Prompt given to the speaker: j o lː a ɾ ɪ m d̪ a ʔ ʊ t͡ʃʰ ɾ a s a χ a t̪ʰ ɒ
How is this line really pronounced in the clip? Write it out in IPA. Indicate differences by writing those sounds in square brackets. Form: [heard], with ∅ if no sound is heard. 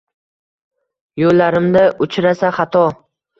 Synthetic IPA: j o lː a ɾ ɪ m d̪ a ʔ ʊ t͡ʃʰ ɾ a s a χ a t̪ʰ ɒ